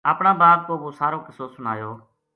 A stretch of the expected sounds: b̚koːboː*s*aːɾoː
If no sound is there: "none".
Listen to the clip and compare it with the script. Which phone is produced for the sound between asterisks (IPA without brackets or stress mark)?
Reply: s